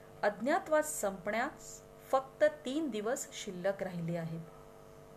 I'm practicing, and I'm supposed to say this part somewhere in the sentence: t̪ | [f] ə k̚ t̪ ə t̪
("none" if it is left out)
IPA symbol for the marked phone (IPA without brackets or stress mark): f